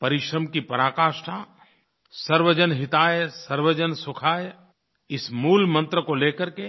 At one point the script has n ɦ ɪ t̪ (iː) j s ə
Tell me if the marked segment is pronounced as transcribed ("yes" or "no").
no